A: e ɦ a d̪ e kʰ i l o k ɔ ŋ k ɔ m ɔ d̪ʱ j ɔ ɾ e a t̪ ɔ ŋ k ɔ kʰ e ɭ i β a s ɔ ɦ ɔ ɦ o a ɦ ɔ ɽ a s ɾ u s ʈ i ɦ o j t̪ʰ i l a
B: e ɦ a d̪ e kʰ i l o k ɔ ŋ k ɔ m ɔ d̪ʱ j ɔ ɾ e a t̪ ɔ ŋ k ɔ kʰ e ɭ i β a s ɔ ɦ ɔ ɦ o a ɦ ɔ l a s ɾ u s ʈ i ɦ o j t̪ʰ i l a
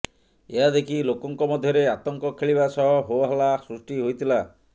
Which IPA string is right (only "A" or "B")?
B